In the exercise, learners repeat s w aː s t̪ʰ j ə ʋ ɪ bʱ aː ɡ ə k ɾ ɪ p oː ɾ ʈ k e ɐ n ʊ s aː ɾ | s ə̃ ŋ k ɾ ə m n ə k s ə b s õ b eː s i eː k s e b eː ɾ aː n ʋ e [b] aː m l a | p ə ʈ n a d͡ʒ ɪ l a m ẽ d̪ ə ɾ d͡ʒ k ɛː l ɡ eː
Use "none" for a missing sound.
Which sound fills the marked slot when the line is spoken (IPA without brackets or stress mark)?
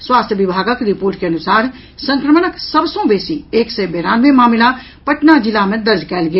m